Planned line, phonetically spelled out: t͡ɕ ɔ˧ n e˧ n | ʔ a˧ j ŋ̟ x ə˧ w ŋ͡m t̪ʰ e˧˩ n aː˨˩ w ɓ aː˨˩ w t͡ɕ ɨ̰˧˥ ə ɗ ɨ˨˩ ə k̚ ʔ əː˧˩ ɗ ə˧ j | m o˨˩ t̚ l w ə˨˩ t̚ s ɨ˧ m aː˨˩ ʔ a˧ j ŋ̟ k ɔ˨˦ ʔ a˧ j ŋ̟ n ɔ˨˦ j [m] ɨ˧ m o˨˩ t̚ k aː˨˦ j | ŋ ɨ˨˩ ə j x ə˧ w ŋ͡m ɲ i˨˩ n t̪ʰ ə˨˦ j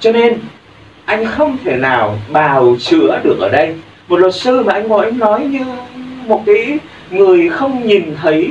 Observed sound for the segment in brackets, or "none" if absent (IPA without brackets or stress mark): ɲ